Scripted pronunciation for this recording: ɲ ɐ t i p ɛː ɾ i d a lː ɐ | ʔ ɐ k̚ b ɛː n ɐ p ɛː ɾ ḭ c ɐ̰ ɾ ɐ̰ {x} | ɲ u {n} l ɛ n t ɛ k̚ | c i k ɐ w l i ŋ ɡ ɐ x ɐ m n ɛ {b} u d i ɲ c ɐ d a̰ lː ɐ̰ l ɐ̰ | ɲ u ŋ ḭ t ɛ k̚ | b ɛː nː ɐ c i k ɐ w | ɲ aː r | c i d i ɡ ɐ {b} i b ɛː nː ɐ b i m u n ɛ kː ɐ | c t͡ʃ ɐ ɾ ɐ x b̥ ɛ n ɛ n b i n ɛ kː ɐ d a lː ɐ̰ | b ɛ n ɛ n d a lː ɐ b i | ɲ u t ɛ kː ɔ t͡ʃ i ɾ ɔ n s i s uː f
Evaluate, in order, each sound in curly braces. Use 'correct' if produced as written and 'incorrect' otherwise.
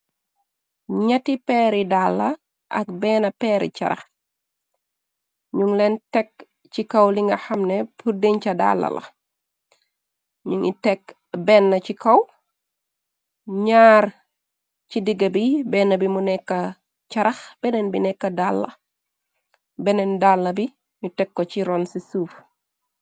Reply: correct, incorrect: ŋ, incorrect: p, correct

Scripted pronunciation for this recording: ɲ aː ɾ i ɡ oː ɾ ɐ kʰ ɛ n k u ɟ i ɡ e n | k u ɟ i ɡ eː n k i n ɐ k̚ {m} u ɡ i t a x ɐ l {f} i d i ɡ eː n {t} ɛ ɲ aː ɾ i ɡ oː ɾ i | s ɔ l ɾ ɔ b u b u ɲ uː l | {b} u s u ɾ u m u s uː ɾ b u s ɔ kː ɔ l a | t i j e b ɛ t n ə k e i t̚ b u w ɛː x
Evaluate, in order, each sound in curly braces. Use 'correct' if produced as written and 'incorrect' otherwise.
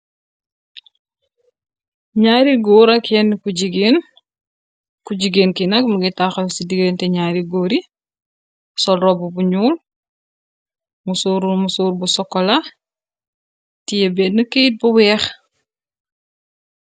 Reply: correct, incorrect: s, correct, incorrect: m

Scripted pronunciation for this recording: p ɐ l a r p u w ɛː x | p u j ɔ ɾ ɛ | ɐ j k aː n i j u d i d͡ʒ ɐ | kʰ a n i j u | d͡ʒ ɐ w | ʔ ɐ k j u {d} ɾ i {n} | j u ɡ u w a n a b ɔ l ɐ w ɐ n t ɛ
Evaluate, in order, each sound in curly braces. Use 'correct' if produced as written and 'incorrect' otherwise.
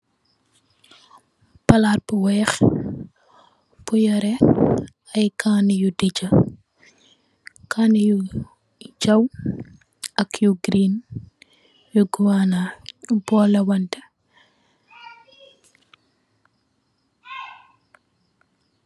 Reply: incorrect: ɡ, correct

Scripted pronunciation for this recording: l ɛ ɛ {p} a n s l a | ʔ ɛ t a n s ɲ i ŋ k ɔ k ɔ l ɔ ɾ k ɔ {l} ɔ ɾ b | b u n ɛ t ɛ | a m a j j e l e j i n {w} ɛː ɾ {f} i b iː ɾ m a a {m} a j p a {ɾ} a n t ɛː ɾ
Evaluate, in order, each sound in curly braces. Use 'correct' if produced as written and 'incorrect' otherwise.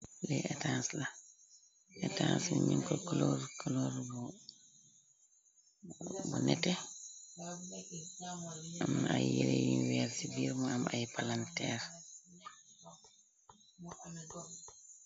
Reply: incorrect: t, correct, correct, incorrect: s, correct, incorrect: l

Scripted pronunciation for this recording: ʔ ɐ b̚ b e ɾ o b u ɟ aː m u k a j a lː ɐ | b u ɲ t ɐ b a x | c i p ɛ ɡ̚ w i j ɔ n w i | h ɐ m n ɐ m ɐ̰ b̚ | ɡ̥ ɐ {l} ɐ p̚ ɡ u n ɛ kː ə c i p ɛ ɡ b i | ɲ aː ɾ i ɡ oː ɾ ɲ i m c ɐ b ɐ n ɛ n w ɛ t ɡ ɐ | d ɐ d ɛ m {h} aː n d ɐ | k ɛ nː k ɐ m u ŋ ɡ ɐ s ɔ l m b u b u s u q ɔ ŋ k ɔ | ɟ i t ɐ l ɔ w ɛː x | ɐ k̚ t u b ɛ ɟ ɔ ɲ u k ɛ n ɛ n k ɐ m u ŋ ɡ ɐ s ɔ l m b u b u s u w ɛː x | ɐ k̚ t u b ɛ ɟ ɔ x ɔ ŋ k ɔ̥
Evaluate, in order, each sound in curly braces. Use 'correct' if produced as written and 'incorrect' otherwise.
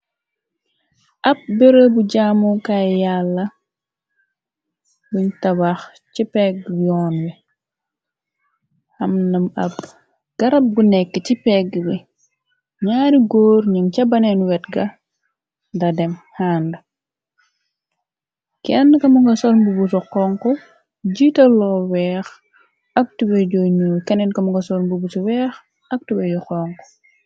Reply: incorrect: ɾ, correct

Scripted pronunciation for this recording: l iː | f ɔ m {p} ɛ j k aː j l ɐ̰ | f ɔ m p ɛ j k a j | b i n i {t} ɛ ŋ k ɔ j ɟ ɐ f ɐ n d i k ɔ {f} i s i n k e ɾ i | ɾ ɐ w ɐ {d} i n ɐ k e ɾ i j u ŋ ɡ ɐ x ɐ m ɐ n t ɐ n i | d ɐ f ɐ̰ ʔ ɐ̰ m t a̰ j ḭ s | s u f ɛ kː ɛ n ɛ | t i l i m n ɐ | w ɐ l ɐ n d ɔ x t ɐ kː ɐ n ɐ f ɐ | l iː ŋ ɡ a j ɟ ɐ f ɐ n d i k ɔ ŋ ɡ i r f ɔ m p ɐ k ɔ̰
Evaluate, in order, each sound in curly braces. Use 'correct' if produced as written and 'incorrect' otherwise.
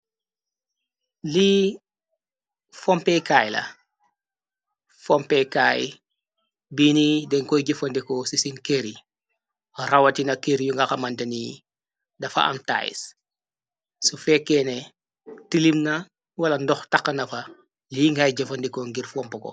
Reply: correct, incorrect: d, incorrect: s, incorrect: t

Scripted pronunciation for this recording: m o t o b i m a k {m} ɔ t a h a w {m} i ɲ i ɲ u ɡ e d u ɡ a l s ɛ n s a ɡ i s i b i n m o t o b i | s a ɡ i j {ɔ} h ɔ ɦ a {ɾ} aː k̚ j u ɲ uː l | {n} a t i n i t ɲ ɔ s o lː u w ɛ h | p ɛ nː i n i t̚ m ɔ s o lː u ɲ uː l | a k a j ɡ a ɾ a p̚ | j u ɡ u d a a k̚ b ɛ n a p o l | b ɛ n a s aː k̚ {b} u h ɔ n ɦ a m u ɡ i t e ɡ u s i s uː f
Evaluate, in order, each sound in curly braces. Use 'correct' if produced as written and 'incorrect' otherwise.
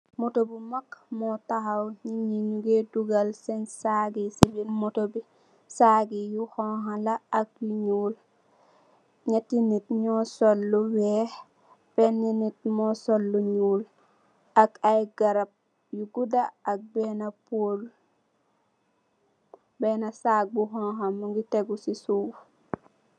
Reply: correct, incorrect: ɲ, incorrect: u, incorrect: l, incorrect: ɲ, correct

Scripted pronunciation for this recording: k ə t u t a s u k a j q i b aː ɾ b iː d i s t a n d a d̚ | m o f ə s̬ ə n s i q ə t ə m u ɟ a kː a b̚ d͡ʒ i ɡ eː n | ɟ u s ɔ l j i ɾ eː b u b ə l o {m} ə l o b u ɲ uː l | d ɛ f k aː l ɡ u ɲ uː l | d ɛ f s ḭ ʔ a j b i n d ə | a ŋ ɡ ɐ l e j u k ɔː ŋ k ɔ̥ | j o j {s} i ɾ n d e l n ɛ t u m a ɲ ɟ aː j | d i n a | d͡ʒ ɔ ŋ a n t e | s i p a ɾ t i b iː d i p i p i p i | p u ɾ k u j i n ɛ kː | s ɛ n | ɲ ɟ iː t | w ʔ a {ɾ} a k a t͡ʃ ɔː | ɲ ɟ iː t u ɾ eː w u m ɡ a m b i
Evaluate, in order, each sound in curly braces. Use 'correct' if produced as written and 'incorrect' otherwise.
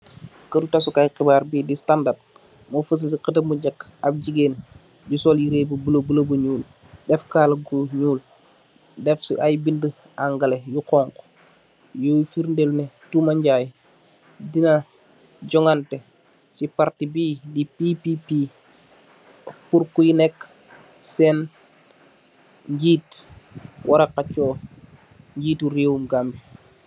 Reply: incorrect: b, incorrect: f, correct

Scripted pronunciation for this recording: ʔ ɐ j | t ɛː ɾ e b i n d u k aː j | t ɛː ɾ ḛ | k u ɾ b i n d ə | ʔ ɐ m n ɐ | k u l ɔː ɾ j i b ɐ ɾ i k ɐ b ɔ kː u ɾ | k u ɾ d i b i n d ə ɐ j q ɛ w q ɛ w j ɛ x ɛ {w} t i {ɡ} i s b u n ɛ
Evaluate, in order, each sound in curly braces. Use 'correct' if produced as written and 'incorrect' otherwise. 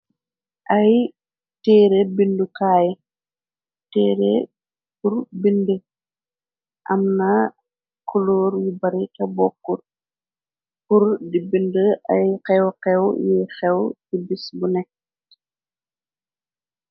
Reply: correct, incorrect: b

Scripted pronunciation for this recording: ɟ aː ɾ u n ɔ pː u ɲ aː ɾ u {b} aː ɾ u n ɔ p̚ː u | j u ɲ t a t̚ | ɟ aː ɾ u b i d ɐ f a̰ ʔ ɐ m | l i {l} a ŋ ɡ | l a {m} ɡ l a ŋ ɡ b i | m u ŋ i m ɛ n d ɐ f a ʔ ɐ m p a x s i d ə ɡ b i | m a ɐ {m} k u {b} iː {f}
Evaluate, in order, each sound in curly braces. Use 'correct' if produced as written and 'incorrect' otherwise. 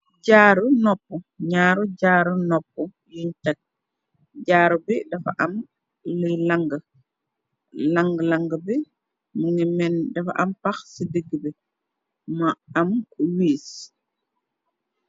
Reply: incorrect: ɟ, correct, incorrect: ŋ, correct, incorrect: w, incorrect: s

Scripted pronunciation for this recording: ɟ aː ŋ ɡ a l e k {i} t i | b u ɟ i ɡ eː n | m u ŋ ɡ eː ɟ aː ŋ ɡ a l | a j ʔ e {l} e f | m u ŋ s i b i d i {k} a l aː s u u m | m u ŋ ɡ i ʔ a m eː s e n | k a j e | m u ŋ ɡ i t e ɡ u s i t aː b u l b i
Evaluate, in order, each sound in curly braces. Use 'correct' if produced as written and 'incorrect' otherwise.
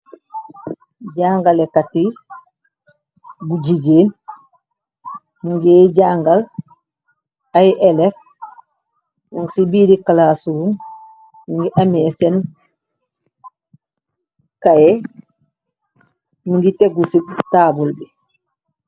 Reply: incorrect: a, correct, correct

